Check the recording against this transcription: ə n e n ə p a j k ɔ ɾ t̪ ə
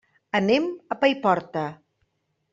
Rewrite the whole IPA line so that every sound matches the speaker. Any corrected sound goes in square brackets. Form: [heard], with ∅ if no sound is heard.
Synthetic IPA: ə n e [m] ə p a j [p] ɔ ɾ t̪ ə